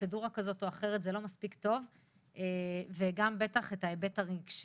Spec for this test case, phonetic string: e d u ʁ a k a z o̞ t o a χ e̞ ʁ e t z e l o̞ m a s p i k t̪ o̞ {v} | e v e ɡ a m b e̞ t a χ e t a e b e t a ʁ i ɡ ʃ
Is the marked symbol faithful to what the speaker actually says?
yes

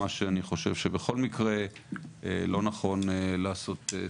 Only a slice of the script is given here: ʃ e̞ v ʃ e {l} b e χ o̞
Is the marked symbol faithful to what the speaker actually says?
no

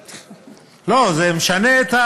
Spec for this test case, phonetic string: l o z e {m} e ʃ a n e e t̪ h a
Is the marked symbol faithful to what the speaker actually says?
yes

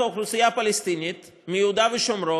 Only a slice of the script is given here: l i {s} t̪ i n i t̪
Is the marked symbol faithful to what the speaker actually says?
yes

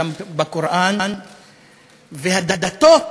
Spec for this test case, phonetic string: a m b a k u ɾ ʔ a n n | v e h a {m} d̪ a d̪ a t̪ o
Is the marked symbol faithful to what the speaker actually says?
no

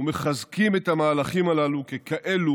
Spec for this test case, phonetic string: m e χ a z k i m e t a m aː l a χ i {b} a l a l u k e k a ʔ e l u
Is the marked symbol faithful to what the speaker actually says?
no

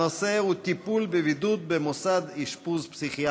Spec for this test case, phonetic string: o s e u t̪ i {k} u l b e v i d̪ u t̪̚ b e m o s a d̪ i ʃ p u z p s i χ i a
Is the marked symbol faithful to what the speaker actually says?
no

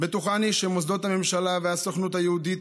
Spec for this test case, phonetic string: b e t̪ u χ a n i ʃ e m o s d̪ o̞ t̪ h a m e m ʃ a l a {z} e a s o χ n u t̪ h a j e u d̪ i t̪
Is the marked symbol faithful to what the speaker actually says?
no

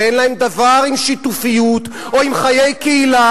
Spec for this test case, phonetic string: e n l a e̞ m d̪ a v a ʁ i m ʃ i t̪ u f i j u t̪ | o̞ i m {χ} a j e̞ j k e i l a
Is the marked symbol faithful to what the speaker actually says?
yes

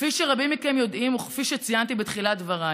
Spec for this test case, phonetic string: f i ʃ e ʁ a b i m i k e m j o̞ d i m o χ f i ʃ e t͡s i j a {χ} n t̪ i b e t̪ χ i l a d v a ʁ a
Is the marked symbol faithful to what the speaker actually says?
no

